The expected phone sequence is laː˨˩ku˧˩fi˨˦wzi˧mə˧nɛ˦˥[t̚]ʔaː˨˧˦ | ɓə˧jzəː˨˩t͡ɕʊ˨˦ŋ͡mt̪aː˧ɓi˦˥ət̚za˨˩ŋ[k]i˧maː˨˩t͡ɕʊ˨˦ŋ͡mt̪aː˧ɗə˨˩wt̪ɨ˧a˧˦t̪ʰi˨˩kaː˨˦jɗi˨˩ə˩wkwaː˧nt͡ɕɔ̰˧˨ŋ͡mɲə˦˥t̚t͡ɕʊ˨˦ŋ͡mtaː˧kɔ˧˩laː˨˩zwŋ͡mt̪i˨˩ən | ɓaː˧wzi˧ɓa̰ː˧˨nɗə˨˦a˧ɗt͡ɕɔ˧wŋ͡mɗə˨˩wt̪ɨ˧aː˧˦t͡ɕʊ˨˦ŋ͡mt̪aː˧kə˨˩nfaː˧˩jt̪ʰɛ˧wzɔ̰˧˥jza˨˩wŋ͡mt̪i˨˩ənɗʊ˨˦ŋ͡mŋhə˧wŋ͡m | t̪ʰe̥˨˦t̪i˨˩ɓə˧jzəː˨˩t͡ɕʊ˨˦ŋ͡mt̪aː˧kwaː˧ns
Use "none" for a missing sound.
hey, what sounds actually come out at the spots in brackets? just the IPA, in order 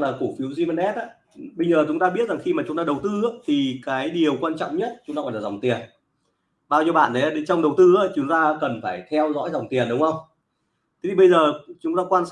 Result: t̚, x

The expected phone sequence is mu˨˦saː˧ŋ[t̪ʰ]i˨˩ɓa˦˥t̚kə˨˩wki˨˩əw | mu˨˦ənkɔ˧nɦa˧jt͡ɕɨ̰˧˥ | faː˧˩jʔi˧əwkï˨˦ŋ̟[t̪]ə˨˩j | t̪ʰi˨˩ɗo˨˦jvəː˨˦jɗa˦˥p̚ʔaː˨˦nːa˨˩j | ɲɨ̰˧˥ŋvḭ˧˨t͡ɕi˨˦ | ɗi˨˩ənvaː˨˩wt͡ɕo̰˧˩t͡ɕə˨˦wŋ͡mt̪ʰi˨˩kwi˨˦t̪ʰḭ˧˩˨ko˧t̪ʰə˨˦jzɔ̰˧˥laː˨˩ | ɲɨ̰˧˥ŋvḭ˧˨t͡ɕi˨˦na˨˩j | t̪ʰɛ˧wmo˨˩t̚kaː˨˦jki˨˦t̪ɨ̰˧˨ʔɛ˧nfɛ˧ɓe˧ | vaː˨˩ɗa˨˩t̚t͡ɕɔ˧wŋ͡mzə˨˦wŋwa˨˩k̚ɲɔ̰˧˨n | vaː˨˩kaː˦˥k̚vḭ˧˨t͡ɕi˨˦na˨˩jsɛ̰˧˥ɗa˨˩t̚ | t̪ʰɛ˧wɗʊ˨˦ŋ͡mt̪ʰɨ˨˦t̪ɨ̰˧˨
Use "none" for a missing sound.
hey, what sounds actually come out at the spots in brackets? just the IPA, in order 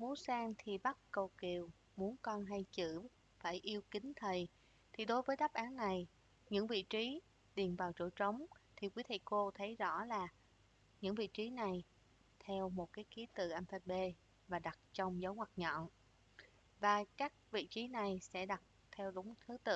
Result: t̪ʰ, t̪ʰ

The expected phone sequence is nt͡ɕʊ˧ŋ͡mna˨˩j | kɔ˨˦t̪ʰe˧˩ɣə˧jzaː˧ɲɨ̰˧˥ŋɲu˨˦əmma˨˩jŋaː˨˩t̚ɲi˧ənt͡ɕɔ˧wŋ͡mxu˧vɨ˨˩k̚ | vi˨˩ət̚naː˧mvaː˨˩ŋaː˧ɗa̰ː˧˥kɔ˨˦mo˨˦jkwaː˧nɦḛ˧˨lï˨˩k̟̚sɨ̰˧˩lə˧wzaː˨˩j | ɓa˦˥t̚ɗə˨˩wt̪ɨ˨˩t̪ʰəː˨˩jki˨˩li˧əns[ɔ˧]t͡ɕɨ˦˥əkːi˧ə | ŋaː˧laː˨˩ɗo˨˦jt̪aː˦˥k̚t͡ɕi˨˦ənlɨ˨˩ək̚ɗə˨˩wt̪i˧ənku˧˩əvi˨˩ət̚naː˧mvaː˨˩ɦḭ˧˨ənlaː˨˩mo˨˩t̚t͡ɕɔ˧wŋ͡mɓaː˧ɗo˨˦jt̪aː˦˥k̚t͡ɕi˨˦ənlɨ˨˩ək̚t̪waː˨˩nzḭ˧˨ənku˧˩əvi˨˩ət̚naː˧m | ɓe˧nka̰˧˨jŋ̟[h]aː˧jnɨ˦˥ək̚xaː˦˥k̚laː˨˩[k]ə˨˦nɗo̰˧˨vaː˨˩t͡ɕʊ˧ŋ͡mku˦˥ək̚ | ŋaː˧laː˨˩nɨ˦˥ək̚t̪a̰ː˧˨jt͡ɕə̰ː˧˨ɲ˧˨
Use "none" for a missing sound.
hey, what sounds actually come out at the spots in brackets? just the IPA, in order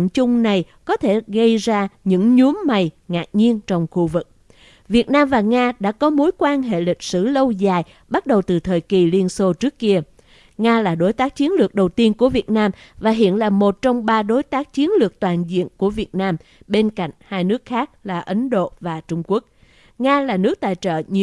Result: o˧, h, ʔ

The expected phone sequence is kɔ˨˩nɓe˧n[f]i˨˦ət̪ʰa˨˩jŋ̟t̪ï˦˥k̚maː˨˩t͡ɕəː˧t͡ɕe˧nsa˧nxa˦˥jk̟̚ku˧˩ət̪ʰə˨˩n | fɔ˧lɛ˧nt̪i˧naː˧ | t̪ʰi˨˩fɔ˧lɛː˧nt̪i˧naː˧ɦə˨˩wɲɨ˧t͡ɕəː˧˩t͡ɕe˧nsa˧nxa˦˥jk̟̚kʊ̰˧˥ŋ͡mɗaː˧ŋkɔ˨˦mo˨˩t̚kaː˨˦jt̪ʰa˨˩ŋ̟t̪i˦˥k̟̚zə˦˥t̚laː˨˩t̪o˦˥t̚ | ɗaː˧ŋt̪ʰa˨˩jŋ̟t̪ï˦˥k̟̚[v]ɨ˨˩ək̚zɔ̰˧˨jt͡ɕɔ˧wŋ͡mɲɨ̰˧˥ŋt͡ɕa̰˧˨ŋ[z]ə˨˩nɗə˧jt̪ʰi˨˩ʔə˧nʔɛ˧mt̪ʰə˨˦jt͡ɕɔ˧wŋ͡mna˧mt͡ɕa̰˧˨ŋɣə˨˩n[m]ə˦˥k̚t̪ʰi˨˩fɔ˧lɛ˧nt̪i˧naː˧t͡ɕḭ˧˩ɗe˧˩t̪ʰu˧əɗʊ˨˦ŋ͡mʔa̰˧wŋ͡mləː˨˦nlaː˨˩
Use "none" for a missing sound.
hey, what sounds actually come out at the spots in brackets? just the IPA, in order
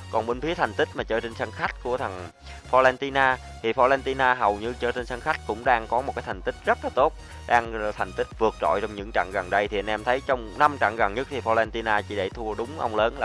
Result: f, v, ɣ, ɲ

